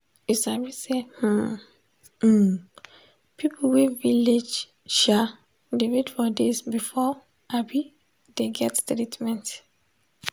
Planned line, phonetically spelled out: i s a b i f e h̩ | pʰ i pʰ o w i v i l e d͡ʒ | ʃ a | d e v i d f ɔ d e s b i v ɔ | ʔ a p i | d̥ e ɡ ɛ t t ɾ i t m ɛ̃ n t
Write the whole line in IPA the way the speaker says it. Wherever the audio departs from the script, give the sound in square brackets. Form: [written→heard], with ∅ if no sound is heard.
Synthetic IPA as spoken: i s a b i [f→s] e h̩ | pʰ i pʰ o w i v i l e d͡ʒ | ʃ a | d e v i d f ɔ d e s b i [v→f] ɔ | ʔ a [p→b] i | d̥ e ɡ ɛ t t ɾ i t m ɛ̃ n t